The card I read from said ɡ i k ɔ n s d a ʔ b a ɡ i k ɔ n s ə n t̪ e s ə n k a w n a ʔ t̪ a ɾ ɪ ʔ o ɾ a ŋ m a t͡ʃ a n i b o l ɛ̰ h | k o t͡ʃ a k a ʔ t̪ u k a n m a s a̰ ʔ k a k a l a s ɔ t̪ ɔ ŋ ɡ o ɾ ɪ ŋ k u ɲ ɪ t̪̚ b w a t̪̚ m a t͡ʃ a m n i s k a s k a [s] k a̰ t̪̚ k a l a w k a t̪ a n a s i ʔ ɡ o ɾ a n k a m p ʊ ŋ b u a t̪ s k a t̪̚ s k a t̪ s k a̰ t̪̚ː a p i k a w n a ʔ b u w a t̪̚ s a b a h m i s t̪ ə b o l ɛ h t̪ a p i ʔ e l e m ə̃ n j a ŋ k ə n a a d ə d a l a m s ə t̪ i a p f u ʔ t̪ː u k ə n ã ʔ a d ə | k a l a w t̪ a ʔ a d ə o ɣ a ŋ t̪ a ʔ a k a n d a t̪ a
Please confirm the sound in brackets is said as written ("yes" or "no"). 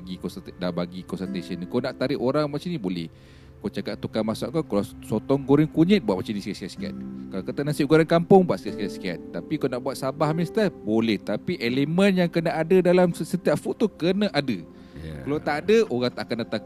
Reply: yes